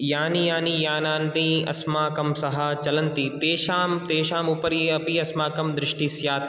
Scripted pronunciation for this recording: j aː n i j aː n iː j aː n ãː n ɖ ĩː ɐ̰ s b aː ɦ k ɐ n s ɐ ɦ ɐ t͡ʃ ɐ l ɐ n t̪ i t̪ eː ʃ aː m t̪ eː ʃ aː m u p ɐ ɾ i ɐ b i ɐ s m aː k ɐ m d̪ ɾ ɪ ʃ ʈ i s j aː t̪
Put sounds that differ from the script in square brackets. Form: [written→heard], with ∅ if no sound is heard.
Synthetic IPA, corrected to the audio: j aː n i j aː n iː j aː n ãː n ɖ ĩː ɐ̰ s [b→m] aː [ɦ→∅] k ɐ [n→m] s ɐ ɦ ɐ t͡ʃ ɐ l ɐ n t̪ i t̪ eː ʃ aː m t̪ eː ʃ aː m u p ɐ ɾ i ɐ [b→p] i ɐ s m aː k ɐ m d̪ ɾ ɪ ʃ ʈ i s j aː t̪